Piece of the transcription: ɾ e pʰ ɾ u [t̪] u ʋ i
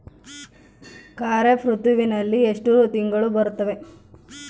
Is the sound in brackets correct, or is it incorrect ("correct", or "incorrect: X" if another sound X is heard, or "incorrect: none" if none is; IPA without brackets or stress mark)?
correct